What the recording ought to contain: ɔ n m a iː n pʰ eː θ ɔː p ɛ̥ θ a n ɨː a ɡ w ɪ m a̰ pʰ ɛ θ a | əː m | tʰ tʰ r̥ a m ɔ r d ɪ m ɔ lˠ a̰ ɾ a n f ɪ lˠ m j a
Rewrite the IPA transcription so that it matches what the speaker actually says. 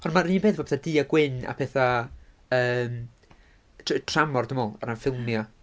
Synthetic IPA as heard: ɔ n m a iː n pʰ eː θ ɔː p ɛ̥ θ a d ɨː a ɡ w ɪ n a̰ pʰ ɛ θ a | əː m | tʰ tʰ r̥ a m ɔ r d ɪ m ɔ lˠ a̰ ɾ a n f ɪ lˠ m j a